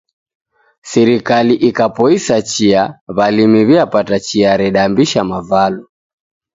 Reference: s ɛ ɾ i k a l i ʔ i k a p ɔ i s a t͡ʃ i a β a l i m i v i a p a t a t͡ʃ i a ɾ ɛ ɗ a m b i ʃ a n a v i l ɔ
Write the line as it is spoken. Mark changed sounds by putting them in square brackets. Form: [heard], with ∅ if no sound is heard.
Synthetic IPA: s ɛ ɾ i k a l i ʔ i k a p ɔ i s a t͡ʃ i a β a l i m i [β] i a p a t a t͡ʃ i a ɾ ɛ ɗ a m b i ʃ a [m] a v [a] l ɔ

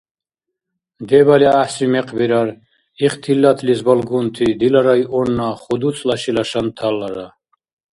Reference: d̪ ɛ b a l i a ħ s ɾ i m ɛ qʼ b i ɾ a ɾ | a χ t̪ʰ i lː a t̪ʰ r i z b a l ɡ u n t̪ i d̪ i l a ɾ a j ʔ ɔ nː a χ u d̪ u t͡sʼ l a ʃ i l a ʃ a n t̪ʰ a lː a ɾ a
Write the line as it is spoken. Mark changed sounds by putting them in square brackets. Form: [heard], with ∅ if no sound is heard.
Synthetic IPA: d̪ ɛ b a l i a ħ s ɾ i m ɛ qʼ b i ɾ a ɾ | [i] χ t̪ʰ i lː a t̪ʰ [l] i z b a l ɡ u n [t̪ʰ] i d̪ i l a ɾ a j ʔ ɔ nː a χ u d̪ u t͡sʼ l a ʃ i l a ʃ a n t̪ʰ a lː a ɾ a

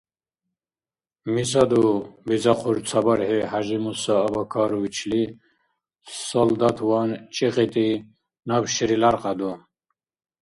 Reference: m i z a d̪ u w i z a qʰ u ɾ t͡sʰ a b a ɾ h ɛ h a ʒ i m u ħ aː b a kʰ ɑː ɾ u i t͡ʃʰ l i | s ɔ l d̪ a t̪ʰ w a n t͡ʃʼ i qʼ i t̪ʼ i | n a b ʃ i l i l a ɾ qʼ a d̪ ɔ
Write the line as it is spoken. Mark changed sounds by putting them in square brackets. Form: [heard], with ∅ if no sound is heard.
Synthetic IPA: m i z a d̪ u [b] i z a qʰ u ɾ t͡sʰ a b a ɾ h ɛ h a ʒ i m u [s] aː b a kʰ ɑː ɾ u i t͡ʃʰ l i | s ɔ l d̪ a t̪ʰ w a n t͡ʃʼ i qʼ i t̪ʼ i | n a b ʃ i [ɾ] i l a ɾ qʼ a d̪ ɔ

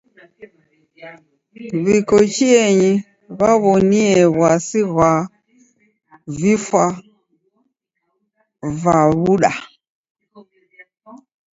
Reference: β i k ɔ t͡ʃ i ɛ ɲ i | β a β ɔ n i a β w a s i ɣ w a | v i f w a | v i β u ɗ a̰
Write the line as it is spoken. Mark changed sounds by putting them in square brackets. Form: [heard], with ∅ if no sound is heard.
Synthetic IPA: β i k ɔ t͡ʃ i ɛ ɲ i | β a β ɔ n i [ɛ] β w a s i ɣ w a | v i f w a | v [a] β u ɗ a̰

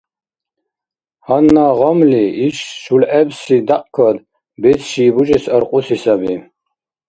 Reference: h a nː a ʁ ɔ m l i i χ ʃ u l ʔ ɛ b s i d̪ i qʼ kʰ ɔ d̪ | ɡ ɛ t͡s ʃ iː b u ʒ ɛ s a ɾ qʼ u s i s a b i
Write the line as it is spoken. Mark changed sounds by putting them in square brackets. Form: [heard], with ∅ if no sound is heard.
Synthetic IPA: h a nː a ʁ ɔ m l i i [ʃ] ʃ u l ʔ ɛ b s i d̪ [a] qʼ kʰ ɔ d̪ | [b] ɛ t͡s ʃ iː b u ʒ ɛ s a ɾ qʼ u s i s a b i

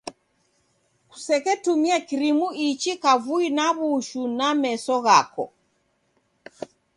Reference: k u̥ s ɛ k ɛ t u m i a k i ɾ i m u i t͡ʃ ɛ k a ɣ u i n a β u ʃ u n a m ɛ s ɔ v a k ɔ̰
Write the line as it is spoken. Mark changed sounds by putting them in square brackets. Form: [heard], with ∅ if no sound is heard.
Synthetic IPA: k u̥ s ɛ k ɛ t u m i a k i ɾ i m u i t͡ʃ [i] k a [v] u i n a β u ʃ u n a m ɛ s ɔ [ɣ] a k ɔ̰

